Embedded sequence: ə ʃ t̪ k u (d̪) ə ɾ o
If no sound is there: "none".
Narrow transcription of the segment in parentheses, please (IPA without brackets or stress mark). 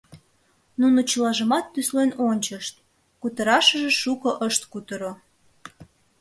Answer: t̪